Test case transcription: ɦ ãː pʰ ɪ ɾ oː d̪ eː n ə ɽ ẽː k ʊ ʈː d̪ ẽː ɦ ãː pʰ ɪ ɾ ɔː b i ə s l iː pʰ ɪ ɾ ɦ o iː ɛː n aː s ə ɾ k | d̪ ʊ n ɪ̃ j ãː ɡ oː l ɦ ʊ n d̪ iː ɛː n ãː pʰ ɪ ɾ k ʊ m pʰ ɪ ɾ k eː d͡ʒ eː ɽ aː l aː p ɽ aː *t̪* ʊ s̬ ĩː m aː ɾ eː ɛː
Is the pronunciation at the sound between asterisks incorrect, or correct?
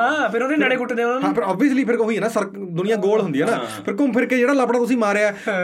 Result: correct